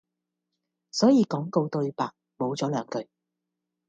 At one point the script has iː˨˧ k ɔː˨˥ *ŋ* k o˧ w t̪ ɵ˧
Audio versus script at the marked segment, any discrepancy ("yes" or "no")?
no